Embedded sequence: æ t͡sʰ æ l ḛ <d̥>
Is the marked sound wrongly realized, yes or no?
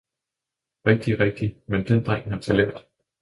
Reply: no